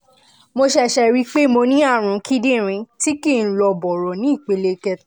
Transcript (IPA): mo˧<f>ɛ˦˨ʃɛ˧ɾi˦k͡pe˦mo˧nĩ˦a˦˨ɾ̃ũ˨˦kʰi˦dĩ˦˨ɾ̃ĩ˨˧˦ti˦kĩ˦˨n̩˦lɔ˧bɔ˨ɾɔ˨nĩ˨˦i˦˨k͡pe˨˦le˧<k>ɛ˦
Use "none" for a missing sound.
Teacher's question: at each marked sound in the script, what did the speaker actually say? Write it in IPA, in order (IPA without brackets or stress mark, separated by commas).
ʃ, k